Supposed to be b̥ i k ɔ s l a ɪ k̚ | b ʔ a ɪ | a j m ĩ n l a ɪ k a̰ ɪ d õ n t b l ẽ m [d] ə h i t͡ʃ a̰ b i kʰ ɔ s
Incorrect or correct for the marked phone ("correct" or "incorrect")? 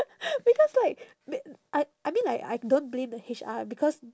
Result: correct